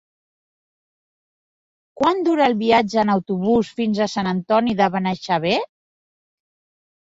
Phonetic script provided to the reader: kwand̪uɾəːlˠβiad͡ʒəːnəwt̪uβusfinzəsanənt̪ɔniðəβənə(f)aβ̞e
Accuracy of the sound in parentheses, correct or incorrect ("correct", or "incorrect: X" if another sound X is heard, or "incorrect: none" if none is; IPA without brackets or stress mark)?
incorrect: ʃ